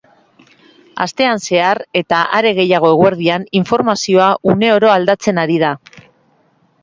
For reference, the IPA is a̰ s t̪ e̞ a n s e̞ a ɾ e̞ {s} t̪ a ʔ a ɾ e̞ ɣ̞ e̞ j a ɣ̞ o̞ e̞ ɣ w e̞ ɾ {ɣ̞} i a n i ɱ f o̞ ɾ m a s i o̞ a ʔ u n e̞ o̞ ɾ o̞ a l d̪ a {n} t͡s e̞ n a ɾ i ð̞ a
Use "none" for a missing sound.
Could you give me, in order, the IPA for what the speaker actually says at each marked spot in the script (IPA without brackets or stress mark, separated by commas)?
none, ð̞, none